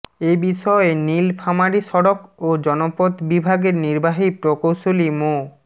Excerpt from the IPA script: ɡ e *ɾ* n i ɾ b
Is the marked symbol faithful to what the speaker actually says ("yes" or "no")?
yes